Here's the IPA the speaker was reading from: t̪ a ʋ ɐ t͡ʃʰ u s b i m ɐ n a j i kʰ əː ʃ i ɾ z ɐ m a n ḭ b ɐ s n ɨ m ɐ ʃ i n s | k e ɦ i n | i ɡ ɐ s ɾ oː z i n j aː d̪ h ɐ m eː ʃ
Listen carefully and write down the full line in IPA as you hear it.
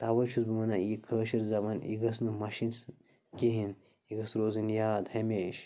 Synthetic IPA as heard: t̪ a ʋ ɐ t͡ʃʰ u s b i m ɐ n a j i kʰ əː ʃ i ɾ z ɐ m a n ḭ ɡ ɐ s n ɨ m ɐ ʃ i n s | k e ɦ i n | i ɡ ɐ s ɾ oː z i n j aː d̪ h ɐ m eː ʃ